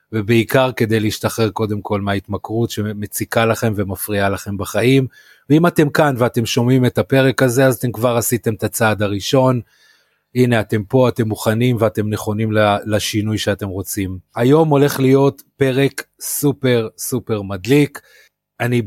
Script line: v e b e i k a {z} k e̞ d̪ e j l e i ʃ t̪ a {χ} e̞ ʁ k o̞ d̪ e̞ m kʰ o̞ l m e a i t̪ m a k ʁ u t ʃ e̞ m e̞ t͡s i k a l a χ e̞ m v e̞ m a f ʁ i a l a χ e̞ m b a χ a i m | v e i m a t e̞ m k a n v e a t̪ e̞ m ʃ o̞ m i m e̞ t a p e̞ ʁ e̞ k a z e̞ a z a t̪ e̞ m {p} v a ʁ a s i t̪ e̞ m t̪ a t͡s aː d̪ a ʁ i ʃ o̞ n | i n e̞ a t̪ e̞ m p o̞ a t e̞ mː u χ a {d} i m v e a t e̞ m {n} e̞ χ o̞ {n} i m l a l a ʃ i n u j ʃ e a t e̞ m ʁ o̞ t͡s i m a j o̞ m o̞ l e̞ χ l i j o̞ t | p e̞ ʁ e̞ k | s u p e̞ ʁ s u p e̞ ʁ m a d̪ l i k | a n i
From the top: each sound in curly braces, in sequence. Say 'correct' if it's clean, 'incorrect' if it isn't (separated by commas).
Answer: incorrect, correct, incorrect, incorrect, correct, correct